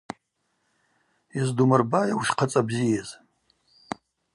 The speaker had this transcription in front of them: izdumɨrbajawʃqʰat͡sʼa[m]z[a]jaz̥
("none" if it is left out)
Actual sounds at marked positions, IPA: b, i

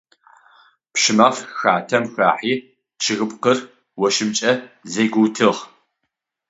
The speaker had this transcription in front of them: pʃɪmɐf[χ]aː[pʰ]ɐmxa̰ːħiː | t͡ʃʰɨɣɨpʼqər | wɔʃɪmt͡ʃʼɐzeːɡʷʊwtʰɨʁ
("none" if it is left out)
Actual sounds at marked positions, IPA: x, tʰ

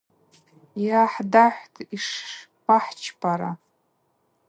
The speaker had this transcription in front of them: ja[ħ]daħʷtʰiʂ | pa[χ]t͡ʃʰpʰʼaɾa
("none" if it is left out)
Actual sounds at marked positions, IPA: ħ, ħ

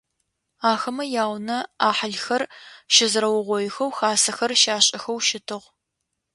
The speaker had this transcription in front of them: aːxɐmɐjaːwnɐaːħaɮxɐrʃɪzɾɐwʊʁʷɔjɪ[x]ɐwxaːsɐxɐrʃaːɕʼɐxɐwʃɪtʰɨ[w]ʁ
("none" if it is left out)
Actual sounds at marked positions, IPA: x, none

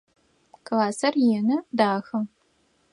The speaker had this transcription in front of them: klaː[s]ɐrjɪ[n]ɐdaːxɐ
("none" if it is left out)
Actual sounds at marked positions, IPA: s, n

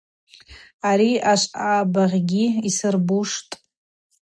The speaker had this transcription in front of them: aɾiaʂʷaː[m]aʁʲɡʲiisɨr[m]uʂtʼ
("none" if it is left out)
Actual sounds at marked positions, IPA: b, b

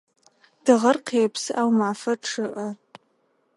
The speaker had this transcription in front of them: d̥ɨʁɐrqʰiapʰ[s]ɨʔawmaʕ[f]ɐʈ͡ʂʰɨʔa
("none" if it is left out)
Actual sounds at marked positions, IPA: s, f

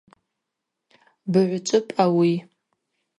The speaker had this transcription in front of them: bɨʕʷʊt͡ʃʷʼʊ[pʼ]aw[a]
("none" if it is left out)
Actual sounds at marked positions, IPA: pʼ, i

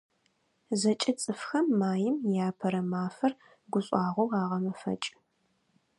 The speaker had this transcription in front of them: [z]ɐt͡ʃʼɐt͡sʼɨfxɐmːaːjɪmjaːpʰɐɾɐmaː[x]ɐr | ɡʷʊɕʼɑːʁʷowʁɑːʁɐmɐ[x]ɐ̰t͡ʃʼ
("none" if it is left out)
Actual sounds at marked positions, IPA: z, f, f

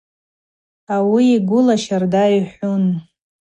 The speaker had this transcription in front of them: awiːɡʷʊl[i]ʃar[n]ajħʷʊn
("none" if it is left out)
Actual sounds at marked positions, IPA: a, d

